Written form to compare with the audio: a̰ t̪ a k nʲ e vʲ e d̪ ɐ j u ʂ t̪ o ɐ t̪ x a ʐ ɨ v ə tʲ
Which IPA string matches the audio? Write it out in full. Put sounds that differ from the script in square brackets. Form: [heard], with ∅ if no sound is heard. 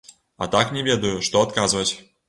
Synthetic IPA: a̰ t̪ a k nʲ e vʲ e d̪ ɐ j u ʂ t̪ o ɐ t̪ [k] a [z] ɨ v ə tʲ